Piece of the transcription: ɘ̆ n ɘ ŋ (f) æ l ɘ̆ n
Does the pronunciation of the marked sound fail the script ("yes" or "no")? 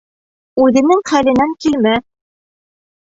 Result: yes